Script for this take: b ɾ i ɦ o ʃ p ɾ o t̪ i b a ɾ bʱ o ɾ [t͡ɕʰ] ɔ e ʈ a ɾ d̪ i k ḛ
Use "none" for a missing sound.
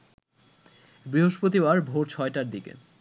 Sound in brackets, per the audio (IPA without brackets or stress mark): t͡ɕʰ